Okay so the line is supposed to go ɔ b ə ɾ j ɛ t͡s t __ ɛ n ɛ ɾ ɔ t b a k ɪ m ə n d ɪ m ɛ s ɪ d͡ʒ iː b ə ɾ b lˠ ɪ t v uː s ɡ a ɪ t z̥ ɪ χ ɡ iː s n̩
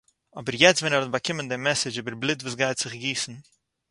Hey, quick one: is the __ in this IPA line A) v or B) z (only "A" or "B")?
A